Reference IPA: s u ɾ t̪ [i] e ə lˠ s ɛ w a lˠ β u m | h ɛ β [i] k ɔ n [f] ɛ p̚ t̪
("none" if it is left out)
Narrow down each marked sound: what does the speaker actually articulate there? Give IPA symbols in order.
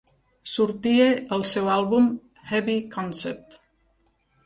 i, i, s

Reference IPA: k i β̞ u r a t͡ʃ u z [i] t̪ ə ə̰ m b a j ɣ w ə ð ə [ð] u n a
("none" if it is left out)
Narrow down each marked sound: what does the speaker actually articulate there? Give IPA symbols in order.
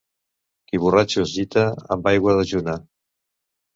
i, ʒ

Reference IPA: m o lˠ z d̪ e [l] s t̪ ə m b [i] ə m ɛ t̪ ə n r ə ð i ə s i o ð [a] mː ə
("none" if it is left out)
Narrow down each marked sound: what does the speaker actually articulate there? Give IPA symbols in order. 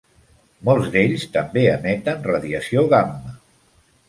ʎ, e, a

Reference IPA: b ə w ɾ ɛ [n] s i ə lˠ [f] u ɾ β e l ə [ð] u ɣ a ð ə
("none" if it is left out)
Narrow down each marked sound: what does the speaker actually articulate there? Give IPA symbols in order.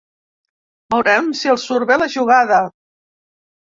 m, s, ʒ

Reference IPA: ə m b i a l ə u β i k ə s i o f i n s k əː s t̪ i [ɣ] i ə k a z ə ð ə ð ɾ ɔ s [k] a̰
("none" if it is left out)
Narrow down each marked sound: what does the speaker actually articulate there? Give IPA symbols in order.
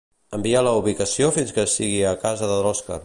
ɣ, k

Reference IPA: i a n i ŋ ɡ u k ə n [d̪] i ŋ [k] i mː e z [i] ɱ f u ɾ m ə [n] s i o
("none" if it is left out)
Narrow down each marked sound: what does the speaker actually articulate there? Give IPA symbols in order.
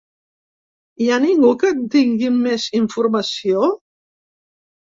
t̪, ɡ, i, none

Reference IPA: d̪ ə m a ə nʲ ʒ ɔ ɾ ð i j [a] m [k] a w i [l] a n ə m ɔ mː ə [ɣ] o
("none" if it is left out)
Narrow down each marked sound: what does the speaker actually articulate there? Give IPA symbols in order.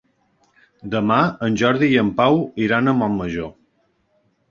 ə, p, ɾ, ʒ

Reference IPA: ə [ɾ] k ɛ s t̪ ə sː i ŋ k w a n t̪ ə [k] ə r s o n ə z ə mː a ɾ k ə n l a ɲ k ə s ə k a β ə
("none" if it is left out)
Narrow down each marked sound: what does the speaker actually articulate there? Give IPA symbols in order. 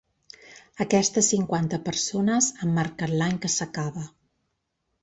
none, p

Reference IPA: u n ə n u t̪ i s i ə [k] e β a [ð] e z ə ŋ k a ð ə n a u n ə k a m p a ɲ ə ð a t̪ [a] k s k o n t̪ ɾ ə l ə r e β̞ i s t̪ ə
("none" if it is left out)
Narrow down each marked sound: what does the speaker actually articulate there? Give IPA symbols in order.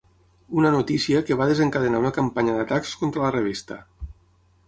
k, ð, a

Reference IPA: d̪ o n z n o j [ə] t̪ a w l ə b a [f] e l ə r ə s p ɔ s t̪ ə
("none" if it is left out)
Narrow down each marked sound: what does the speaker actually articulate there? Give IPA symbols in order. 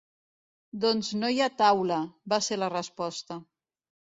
a, s

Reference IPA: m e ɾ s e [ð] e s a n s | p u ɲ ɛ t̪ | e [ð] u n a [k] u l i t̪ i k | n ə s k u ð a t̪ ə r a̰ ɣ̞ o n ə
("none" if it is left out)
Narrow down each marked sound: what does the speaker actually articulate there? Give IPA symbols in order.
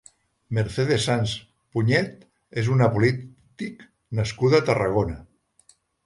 ð, z, p

